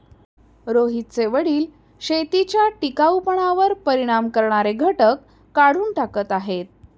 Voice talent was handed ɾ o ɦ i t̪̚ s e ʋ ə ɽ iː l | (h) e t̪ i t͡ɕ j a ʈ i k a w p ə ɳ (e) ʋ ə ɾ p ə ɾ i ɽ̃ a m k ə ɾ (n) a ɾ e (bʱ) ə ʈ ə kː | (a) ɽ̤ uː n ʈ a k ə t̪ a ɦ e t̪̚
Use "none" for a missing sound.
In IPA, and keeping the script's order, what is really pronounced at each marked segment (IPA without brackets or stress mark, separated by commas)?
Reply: ɕ, a, ɳ, ɡʱ, a